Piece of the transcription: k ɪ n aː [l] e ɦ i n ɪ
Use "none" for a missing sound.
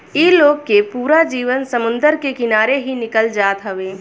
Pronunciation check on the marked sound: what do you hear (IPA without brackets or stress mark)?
ɾ